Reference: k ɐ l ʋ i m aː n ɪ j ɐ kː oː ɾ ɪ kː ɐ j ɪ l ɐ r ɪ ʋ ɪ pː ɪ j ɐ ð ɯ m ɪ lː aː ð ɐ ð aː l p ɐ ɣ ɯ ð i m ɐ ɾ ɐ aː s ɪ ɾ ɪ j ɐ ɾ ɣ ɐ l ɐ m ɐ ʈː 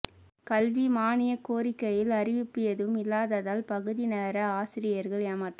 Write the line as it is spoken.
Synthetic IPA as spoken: k ɐ l ʋ i m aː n ɪ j ɐ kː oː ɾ ɪ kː ɐ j ɪ l ɐ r ɪ ʋ ɪ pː ɪ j ɐ ð ɯ m ɪ lː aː ð ɐ ð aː l p ɐ ɣ ɯ ð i n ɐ ɾ ɐ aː s ɪ ɾ ɪ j ɐ ɾ ɣ ɐ ɭ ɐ m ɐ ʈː

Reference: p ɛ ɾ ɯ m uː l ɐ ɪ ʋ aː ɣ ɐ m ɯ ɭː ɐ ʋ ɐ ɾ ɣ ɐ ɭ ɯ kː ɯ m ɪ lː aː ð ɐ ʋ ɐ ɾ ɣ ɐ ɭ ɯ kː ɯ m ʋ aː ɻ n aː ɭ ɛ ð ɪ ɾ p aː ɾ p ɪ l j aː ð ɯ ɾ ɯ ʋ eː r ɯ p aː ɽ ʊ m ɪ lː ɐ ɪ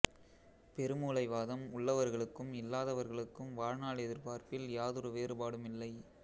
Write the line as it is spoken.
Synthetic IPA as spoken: p ɛ ɾ ɯ m uː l ɐ ɪ ʋ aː ð ɐ m ʊ ɭː ɐ ʋ ɐ ɾ ɣ ɐ ɭ ɯ kː ɯ m ɪ lː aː ð ɐ ʋ ɐ ɾ ɣ ɐ ɭ ɯ kː ɯ m ʋ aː ɻ n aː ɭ ɛ ð ɪ ɾ p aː ɾ p ɪ l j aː ð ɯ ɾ ɯ ʋ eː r ɯ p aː ɽ ɯ m ɪ lː ɐ ɪ

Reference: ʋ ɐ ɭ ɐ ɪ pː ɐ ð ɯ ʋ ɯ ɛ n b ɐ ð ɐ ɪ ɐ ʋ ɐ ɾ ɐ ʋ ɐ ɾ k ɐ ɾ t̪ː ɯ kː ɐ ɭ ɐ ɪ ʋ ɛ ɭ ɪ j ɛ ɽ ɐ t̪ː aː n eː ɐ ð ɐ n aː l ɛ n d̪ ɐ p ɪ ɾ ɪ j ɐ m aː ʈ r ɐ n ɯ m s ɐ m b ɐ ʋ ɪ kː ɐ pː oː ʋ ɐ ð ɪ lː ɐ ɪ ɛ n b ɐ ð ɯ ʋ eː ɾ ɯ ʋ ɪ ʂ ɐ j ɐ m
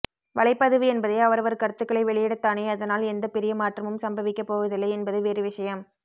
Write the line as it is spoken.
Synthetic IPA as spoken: ʋ ɐ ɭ ɐ ɪ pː ɐ ð ɯ ʋ ɯ ɛ n b ɐ ð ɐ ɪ ɐ ʋ ɐ ɾ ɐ ʋ ɐ ɾ k ɐ ɾ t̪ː ɯ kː ɐ ɭ ɐ ɪ ʋ ɛ ɭ ɪ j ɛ ɽ ɐ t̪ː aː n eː ɐ ð ɐ n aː l ɛ n d̪ ɐ p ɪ ɾ ɪ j ɐ m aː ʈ r ɐ m ɯ m s ɐ m b ɐ ʋ ɪ kː ɐ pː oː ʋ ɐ ð ɪ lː ɐ ɪ ɛ n b ɐ ð ɯ ʋ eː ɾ ɯ ʋ ɪ ʂ ɐ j ɐ m

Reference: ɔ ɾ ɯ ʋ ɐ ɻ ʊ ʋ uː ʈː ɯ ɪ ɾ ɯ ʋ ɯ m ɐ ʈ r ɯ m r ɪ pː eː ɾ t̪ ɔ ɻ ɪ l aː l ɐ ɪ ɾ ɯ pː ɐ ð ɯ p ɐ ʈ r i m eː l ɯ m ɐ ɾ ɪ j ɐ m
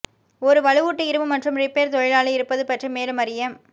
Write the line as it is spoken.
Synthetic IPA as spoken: ɔ ɾ ɯ ʋ ɐ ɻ ɯ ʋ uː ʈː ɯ ɪ ɾ ɯ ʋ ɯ m ɐ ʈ r ɯ m r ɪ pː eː ɾ t̪ ɔ ɻ ɪ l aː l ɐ ɪ ɾ ɯ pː ɐ ð ɯ p ɐ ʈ r i m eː l ɯ m ɐ ɾ ɪ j ɐ m

